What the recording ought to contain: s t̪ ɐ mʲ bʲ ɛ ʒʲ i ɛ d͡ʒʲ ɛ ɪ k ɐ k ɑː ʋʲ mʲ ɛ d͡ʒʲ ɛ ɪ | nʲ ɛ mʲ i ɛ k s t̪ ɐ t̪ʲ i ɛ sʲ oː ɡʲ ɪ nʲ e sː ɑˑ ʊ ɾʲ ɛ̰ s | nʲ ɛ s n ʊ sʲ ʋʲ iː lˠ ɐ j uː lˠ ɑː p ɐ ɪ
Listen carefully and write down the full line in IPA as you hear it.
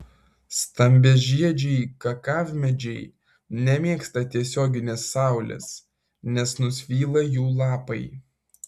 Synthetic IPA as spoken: s t̪ ɐ mʲ bʲ ɛ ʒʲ i ɛ d͡ʒʲ ɛ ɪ k ɐ k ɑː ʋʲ mʲ ɛ d͡ʒʲ ɛ ɪ | nʲ ɛ mʲ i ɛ k s t̪ ɐ t̪ʲ i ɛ sʲ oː ɡʲ ɪ nʲ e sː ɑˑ ʊ lʲ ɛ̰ s | nʲ ɛ s n ʊ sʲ ʋʲ iː lˠ ɐ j uː lˠ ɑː p ɐ ɪ

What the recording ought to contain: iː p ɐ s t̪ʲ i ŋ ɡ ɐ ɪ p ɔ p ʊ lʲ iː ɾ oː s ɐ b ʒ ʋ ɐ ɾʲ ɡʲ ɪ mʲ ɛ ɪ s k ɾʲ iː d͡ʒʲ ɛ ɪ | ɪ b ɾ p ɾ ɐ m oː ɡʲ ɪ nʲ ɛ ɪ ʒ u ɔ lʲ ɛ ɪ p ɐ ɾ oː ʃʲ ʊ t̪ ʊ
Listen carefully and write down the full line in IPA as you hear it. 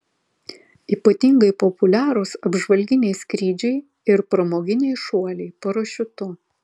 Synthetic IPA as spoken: iː p ɐ t̪ʲ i ŋ ɡ ɐ ɪ p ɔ p ʊ lʲ æː ɾ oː s ɐ b ʒ ʋ ɐ lʲ ɡʲ ɪ nʲ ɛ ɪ s k ɾʲ iː d͡ʒʲ ɛ ɪ | ɪ ɾ p ɾ ɐ m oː ɡʲ ɪ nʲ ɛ ɪ ʃ u ɔ lʲ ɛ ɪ p ɐ ɾ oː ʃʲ ʊ t̪ ʊ

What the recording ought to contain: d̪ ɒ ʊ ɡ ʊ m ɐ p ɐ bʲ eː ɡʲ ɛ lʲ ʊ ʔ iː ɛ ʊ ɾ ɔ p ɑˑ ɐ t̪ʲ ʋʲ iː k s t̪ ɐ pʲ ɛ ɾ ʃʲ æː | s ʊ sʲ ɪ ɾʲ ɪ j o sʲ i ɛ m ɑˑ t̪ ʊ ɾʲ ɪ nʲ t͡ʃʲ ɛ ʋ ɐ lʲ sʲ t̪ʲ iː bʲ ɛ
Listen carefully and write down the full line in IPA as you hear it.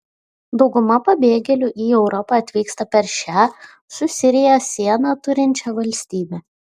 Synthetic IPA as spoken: d̪ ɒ ʊ ɡ ʊ m ɐ p ɐ bʲ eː ɡʲ ɛ lʲ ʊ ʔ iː ɛ ʊ ɾ ɔ p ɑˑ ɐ t̪ʲ ʋʲ iː k s t̪ ɐ pʲ ɛ ɾ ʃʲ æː | s ʊ sʲ ɪ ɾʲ ɪ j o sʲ i ɛ n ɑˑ t̪ ʊ ɾʲ ɪ nʲ t͡ʃʲ ɛ ʋ ɐ lʲ sʲ t̪ʲ iː bʲ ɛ

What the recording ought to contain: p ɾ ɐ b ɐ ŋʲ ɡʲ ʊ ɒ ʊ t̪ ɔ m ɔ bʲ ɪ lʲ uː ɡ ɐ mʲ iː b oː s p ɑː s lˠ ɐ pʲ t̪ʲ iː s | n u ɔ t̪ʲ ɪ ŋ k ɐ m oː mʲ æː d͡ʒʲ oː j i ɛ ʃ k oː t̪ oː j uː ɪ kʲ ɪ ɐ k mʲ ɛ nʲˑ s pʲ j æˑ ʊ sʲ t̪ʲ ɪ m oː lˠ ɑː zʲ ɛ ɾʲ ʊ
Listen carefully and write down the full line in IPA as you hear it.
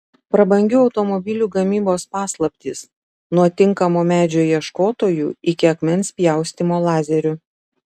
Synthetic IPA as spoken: p ɾ ɐ b ɐ ŋʲ ɡʲ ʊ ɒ ʊ t̪ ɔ m ɔ bʲ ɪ lʲ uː ɡ ɐ mʲ iː b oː s p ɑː s lˠ ɐ pʲ t̪ʲ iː s | n u ɔ t̪ʲ ɪ ŋ k ɐ m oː mʲ æː d͡ʒʲ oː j i ɛ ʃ k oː t̪ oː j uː ɪ kʲ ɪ ɐ k mʲ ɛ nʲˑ s pʲ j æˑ ʊ sʲ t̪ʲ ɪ m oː lˠ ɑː zʲ ɛ ɾʲ ʊ

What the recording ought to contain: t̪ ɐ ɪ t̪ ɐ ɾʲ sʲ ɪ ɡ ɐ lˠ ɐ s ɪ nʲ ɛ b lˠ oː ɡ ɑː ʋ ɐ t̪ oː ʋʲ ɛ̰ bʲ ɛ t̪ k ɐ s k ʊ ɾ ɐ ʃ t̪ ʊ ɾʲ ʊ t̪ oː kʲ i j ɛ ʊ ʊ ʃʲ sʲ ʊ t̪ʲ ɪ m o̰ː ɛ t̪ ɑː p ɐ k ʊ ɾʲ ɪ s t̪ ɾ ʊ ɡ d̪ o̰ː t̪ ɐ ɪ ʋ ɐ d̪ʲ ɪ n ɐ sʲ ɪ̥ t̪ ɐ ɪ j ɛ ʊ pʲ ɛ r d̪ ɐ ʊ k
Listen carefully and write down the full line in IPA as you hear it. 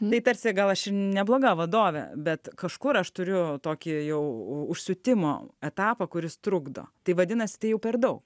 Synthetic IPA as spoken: t̪ ɐ ɪ t̪ ɐ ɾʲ sʲ ɪ ɡ ɐ lˠ ɐ ʃ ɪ nʲ ɛ b lˠ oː ɡ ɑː ʋ ɐ d̪ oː ʋʲ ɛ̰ bʲ ɛ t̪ k ɐ ʃ k ʊ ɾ ɐ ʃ t̪ ʊ ɾʲ ʊ t̪ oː kʲ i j ɛ ʊ ʊ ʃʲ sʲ ʊ t̪ʲ ɪ m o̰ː ɛ t̪ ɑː p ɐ k ʊ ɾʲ ɪ s t̪ ɾ ʊ ɡ d̪ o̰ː t̪ ɐ ɪ ʋ ɐ d̪ʲ ɪ n ɐ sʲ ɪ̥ t̪ ɐ ɪ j ɛ ʊ pʲ ɛ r d̪ ɐ ʊ k

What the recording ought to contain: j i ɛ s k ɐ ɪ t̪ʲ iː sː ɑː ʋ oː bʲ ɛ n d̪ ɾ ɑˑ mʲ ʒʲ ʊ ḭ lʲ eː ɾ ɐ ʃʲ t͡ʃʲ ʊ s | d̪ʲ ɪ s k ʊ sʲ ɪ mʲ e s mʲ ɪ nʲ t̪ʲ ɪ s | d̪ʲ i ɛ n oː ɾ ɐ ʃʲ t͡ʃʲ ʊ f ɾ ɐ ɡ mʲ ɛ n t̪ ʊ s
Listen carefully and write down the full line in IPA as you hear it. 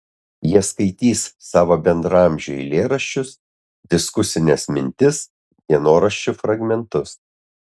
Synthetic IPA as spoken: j i ɛ s k ɐ ɪ t̪ʲ iː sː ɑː ʋ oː bʲ ɛ n d̪ ɾ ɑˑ mʲ ʒʲ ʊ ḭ lʲ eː ɾ ɐ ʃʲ t͡ʃʲ ʊ s | d̪ʲ ɪ s k ʊ sʲ ɪ nʲ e s mʲ ɪ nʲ t̪ʲ ɪ s | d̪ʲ i ɛ n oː ɾ ɐ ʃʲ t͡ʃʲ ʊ f ɾ ɐ ɡ mʲ ɛ n t̪ ʊ s

